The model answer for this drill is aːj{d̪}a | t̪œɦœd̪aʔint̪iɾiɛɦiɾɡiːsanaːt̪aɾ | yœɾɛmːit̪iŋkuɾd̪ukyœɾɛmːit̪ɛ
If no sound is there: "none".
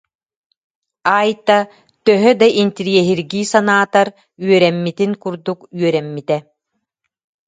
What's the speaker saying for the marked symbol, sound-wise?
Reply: t̪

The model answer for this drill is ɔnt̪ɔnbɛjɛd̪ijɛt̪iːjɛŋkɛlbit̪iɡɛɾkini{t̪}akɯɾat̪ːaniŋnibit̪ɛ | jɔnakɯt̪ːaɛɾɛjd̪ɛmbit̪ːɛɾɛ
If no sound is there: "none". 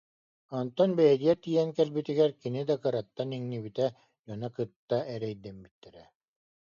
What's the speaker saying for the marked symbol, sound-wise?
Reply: d̪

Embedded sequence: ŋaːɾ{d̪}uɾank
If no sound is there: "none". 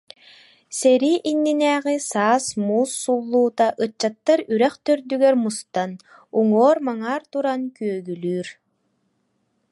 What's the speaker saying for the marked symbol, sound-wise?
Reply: t̪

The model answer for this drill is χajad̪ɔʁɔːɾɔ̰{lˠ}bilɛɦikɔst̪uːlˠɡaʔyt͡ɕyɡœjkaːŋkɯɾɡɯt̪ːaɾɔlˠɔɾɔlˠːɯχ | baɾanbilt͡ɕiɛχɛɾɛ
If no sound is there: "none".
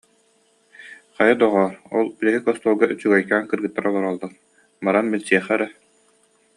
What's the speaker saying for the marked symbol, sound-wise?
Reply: lˠ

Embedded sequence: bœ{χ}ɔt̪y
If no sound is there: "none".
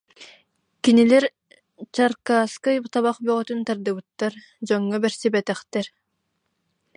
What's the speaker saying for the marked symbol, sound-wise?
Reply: ʁ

